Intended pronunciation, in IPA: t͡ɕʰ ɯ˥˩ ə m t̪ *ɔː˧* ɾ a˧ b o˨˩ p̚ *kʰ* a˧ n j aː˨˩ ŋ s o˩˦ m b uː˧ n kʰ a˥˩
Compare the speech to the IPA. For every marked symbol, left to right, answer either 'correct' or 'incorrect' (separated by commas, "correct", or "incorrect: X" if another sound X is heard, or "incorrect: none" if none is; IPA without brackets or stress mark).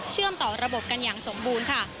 incorrect: ɔː˨˩, incorrect: k